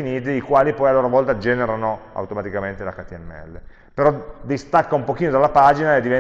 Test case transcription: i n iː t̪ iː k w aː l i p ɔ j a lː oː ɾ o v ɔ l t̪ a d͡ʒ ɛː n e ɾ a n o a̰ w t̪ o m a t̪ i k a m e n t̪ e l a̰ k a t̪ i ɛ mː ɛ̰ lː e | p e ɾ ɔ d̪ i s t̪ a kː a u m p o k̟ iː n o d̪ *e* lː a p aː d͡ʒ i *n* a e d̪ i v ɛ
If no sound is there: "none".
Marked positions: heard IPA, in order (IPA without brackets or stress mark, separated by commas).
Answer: a, n